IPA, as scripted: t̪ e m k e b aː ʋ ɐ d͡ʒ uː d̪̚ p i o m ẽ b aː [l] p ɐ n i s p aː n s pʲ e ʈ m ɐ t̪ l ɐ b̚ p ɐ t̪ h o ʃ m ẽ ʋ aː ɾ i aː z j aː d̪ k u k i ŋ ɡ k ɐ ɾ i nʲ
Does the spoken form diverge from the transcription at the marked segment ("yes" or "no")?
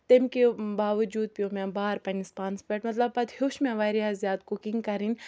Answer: yes